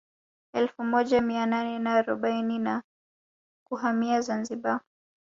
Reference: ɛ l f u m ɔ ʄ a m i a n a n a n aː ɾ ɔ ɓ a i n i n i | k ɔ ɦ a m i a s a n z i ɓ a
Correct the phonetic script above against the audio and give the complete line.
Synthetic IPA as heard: ɛ l f u m ɔ ʄ a m i a n a n ɛ n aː ɾ ɔ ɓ a i n i n a | k u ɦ a m i a z a n z i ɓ a